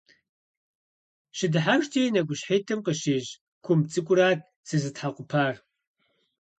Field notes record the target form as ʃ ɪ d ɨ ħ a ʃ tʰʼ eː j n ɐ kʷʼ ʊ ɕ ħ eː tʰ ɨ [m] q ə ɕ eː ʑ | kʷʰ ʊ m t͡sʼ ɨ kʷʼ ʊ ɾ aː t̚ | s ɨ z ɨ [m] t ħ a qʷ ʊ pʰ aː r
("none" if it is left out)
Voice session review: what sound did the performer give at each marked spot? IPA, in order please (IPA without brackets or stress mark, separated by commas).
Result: m, none